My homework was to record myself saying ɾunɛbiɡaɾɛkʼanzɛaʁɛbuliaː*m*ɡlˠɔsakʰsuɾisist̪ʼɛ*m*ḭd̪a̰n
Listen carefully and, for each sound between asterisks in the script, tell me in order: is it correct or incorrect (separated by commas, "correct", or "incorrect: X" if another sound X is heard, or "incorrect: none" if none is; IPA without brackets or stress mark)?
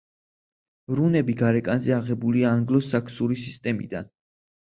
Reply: incorrect: ŋ, correct